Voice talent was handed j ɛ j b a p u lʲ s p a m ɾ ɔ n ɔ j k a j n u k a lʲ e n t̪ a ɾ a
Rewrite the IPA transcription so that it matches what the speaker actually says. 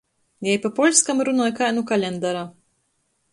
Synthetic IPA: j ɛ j p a p ɔ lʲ s k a m ɾ u n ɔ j k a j n u k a lʲ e n d̪ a ɾ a